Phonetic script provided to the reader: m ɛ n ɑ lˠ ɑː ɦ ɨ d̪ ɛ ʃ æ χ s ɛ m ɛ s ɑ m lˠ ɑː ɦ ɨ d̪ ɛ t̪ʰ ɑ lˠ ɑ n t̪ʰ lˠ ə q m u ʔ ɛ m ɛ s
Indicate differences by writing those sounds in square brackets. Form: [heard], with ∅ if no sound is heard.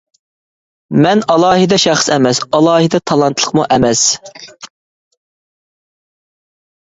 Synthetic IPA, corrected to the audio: m ɛ n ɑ lˠ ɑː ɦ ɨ d̪ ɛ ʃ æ χ s ɛ m ɛ s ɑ [∅] lˠ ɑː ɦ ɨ d̪ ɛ t̪ʰ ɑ lˠ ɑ n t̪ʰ lˠ ə q m u ʔ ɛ m ɛ s